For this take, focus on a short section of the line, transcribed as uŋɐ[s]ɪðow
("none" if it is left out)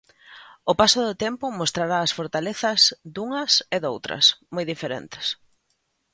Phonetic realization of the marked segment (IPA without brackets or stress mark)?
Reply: s